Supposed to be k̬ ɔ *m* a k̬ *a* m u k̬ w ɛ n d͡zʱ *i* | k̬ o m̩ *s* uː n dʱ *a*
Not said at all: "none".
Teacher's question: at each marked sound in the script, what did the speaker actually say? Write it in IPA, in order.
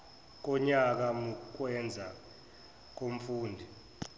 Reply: ɲ, a, a, f, i

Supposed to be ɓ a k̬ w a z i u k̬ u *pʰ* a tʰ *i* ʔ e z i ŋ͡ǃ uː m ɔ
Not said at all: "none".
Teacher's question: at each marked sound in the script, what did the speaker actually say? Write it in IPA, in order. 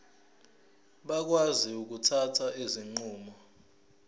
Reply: tʰ, a

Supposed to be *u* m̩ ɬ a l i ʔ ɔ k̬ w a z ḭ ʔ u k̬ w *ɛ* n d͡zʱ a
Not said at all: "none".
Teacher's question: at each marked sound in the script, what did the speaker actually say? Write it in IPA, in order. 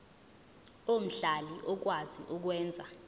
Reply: o, ɛː

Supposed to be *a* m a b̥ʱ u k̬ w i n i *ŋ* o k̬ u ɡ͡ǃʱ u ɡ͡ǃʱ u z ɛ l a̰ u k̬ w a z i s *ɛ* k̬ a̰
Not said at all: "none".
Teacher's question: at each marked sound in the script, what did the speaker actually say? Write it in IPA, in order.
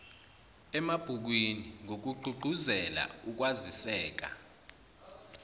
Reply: ɛ, ŋ, ɛː

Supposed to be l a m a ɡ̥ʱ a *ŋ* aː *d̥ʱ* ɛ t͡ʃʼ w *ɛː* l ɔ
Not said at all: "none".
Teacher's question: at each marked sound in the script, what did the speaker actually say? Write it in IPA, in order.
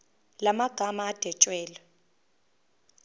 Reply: m, d̥ʱ, ɛː

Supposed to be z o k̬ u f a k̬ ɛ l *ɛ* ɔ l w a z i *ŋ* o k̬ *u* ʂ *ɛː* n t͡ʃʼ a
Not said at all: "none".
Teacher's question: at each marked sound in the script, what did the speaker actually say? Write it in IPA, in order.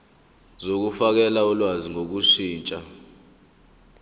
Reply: a, ŋ, u, iː

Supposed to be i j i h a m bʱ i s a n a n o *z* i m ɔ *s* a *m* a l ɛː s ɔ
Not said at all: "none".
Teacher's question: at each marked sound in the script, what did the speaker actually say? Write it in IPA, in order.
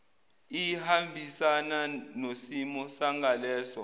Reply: s, s, ŋ

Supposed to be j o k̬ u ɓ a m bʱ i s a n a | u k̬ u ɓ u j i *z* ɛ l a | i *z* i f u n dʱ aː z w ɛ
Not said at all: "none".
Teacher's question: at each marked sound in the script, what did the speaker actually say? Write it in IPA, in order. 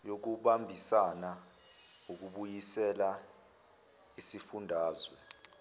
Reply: s, s

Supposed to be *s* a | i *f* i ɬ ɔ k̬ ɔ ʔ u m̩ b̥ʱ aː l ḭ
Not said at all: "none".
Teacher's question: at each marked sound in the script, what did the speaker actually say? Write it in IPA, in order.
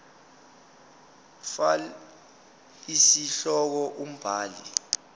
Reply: f, s

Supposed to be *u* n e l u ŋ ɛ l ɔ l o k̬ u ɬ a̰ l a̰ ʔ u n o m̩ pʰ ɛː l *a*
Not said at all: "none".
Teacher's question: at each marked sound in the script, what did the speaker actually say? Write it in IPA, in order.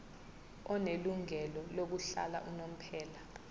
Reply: ɔ, a

